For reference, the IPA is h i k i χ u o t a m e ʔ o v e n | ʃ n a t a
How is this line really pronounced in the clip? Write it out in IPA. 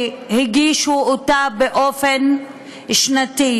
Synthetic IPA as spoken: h i ɡ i ʃ u o t a b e ʔ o f e n | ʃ n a t i